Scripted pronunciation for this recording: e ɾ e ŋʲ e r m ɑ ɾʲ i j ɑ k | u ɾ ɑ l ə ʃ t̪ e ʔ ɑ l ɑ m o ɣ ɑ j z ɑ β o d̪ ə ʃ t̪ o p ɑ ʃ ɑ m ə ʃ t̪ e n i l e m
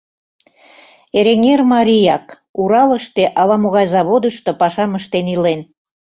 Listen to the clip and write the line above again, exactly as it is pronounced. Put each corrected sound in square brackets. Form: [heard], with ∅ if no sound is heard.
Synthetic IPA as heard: e ɾ e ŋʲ e r m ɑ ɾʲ i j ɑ k | u ɾ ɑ l ə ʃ t̪ e ʔ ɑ l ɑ m o ɣ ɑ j z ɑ β o d̪ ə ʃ t̪ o p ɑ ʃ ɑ m ə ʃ t̪ e n i l e [n]